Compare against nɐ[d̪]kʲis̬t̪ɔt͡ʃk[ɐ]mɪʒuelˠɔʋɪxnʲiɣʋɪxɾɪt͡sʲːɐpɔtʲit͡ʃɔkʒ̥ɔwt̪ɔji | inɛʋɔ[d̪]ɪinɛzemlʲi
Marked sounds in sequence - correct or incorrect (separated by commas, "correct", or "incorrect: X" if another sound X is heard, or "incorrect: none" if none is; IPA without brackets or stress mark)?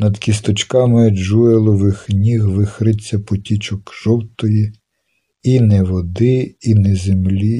correct, incorrect: ɑ, correct